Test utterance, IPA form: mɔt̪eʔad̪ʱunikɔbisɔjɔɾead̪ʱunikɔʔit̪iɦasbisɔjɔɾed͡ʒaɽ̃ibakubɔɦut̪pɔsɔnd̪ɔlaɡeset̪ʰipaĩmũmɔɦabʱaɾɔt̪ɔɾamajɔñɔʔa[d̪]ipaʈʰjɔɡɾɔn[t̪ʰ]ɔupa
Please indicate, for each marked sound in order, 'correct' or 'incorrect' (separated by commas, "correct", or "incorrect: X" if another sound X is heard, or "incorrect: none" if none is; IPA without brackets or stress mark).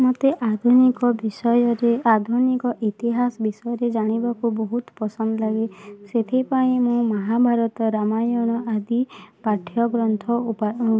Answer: correct, correct